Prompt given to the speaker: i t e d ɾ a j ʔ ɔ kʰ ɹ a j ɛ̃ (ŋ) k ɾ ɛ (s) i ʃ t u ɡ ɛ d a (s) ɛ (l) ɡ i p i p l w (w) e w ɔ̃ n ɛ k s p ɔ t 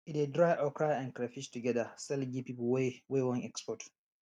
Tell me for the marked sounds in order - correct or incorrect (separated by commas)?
incorrect, incorrect, correct, correct, correct